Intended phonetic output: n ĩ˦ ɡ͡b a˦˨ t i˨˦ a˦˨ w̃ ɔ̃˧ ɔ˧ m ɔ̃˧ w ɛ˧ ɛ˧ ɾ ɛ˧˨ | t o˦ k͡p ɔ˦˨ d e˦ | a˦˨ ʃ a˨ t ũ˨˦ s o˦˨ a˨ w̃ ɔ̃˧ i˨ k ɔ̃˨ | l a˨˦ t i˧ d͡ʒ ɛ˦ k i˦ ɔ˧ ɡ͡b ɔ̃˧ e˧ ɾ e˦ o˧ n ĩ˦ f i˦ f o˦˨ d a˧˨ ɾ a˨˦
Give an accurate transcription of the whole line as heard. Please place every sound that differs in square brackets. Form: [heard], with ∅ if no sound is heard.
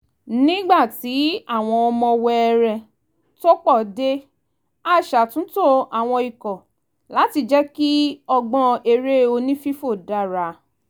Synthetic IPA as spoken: n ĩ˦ ɡ͡b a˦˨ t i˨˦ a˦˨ w̃ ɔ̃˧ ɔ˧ m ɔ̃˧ w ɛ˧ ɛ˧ ɾ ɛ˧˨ | t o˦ k͡p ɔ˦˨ d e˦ | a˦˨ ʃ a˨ t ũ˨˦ [t] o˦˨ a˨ w̃ ɔ̃˧ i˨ k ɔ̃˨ | l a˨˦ t i˧ d͡ʒ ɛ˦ k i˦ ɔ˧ ɡ͡b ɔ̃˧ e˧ ɾ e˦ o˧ n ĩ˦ f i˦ f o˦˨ d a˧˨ ɾ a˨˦